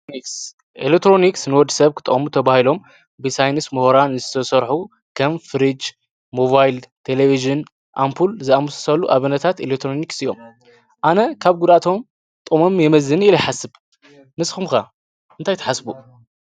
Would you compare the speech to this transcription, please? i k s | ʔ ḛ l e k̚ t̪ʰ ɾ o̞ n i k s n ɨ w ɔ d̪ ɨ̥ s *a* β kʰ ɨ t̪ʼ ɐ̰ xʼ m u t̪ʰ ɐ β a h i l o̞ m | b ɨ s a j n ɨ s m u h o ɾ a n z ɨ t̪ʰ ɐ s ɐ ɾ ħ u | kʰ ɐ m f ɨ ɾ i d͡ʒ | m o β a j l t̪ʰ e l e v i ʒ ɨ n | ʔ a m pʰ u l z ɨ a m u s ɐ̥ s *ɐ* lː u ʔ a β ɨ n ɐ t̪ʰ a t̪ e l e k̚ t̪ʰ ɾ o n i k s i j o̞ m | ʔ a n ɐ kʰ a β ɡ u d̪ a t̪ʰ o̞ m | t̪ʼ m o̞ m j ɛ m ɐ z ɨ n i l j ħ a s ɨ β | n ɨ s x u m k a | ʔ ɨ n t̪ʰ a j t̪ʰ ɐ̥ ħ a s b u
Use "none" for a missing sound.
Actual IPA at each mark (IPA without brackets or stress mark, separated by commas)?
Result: ɐ, ɐ